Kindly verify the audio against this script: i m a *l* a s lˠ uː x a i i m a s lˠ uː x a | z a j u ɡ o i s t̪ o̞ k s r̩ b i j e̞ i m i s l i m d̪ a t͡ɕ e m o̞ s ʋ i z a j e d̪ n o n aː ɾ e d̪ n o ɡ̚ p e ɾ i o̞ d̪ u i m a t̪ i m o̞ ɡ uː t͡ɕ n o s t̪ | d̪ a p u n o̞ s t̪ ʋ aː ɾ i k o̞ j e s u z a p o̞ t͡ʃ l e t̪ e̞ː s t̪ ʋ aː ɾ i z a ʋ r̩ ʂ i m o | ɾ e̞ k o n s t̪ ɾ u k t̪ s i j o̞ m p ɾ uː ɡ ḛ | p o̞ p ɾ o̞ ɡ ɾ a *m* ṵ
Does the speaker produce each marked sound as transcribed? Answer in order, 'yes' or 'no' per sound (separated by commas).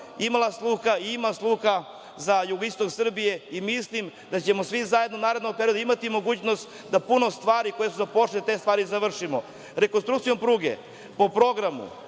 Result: yes, yes